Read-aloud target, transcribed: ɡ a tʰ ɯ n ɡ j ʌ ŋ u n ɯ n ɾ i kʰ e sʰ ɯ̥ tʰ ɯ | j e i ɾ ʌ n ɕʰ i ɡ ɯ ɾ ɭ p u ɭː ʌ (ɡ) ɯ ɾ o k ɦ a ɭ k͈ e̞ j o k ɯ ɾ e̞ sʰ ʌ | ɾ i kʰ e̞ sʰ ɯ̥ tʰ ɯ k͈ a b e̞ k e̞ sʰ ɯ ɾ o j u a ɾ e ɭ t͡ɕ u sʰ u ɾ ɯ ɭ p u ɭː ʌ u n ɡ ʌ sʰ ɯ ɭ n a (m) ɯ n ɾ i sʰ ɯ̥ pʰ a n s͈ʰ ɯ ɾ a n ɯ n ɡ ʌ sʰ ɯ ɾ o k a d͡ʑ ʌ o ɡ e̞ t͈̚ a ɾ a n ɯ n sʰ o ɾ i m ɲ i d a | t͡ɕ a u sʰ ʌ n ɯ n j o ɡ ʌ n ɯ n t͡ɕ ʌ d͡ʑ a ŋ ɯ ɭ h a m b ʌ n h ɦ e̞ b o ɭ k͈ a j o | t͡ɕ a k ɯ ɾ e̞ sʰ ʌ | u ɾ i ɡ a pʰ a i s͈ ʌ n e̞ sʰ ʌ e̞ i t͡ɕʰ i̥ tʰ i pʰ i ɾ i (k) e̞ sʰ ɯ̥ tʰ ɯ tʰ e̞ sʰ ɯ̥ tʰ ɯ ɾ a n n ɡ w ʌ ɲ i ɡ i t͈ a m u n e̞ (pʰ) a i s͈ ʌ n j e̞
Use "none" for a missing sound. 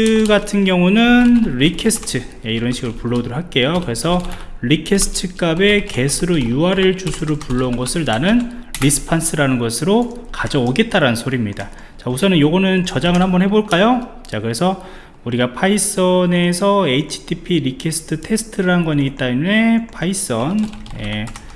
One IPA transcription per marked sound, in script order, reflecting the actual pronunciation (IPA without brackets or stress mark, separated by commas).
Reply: d, n, kʰ, pʰ